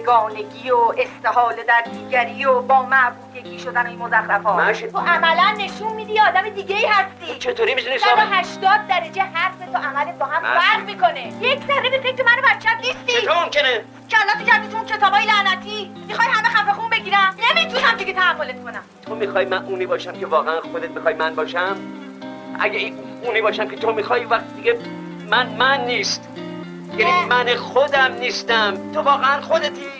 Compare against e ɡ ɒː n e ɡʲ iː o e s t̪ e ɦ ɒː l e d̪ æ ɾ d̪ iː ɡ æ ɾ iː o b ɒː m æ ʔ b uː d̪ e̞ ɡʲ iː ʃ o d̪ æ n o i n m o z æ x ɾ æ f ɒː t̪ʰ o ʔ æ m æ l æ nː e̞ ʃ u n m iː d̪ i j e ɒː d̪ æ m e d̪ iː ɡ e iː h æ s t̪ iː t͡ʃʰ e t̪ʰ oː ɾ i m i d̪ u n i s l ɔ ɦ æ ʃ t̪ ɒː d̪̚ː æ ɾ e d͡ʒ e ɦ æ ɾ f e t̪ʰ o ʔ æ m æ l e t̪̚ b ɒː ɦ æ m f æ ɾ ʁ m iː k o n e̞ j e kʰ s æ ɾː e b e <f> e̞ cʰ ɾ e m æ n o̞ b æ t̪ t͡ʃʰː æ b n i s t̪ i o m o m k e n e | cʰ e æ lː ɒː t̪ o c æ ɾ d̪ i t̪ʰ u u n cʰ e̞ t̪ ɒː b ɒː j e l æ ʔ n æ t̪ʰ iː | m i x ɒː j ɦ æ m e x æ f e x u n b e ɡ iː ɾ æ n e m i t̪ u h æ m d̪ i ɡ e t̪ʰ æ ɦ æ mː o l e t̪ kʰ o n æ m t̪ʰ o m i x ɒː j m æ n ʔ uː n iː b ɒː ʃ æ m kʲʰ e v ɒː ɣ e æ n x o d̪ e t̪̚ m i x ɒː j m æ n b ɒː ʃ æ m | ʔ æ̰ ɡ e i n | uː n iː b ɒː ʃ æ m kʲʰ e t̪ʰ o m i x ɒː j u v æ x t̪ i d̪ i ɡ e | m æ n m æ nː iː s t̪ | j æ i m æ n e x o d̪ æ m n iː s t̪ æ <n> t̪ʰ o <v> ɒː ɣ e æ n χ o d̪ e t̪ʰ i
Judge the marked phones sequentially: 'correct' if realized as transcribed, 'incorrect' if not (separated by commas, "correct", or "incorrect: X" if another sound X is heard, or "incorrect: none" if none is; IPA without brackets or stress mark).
correct, incorrect: m, correct